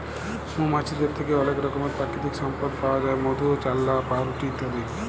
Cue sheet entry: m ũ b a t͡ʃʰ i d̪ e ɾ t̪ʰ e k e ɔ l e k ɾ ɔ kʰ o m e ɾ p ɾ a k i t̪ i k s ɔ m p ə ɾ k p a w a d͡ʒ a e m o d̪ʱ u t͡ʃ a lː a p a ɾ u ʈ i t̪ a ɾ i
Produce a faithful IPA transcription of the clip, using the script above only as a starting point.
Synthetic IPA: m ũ m a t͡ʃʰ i d̪ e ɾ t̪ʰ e k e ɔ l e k ɾ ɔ k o m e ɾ p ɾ a k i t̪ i k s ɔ m p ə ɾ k p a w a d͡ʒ a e m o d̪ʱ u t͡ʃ a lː a p a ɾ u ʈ i t̪ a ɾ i